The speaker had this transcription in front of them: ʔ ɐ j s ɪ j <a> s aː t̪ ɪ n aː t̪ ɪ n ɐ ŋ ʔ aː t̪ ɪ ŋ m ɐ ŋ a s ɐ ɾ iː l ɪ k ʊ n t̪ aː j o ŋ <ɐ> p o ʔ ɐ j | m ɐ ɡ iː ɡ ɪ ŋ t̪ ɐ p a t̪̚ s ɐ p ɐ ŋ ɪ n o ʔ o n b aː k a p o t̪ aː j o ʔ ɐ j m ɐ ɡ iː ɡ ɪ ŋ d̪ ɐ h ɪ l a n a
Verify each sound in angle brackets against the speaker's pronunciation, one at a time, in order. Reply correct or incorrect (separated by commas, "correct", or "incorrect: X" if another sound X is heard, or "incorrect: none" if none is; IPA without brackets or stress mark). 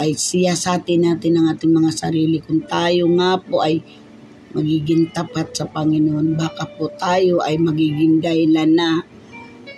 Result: correct, incorrect: a